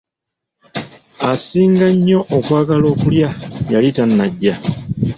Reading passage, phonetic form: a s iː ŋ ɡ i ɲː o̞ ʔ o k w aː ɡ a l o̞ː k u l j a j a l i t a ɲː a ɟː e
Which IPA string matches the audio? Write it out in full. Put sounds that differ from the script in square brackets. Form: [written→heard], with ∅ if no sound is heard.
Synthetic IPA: a s iː ŋ ɡ [i→a] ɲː o̞ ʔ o k w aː ɡ a l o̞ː k u l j a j a l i t a [ɲː→nː] a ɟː [e→a]